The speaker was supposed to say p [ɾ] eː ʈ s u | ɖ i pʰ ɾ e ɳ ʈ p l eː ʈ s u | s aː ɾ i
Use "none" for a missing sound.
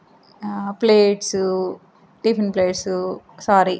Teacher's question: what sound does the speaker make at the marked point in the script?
l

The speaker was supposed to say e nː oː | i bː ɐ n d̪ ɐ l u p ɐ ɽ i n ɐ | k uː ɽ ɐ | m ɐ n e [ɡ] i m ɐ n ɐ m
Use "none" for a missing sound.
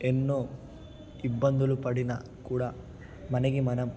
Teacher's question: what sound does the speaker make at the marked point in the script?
ɡ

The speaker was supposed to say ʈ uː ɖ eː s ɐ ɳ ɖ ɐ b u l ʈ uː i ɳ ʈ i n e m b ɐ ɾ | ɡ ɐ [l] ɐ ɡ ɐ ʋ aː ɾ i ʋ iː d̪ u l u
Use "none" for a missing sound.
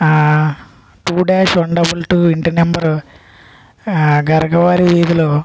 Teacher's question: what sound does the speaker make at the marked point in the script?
ɾ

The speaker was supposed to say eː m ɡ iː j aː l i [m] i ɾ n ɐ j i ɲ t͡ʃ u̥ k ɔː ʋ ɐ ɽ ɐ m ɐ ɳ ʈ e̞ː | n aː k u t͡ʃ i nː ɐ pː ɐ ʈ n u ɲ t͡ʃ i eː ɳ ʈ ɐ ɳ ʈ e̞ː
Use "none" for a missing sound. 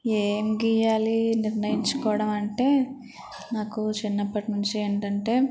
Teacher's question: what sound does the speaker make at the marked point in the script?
n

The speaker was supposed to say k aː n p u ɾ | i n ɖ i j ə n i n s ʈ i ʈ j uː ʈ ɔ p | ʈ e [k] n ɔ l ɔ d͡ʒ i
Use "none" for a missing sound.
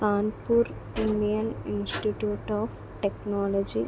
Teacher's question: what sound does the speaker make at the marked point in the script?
k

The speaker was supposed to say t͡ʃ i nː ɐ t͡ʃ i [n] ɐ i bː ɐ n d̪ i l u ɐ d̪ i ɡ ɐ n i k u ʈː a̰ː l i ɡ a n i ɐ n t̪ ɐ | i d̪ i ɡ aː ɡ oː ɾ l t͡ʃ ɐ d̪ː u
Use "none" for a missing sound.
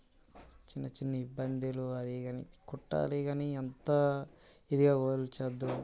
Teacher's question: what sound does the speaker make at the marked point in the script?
nː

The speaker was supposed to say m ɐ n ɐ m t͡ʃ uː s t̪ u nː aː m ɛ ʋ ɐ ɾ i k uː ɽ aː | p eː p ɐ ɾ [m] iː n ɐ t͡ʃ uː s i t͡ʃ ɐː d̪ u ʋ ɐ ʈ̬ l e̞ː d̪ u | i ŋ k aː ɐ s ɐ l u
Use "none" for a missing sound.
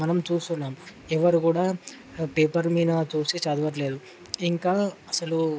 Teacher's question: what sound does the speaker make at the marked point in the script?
m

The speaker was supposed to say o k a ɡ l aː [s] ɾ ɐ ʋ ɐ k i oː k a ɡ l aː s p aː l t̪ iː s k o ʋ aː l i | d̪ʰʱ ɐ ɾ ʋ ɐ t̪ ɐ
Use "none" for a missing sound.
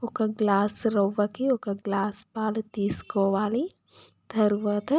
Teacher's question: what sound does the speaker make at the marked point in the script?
s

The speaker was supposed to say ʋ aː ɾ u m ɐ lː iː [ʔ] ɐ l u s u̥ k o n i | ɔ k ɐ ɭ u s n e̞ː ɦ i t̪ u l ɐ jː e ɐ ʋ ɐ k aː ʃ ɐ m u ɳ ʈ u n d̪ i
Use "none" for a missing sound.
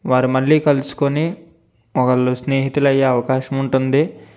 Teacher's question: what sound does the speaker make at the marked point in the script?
k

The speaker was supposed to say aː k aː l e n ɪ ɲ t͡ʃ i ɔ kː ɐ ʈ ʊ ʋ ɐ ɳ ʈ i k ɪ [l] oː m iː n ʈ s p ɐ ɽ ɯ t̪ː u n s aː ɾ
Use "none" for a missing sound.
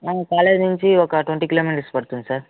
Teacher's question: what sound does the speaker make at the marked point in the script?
l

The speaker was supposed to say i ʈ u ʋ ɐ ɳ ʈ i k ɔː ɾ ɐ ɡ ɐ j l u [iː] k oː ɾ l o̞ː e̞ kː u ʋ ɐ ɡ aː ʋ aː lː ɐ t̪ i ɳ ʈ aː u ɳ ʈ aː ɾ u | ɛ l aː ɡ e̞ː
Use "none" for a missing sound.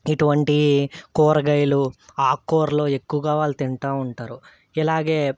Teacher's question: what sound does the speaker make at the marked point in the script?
aː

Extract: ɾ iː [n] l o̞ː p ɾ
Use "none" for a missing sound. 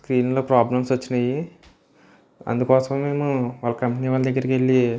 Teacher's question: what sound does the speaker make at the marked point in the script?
n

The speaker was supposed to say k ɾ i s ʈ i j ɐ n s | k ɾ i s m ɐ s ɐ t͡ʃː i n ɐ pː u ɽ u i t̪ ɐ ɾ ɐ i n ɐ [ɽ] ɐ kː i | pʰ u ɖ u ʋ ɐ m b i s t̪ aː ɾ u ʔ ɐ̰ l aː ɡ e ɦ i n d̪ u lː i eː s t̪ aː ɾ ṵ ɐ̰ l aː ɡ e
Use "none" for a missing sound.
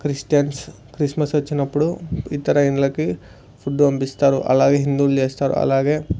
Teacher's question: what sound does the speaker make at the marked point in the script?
l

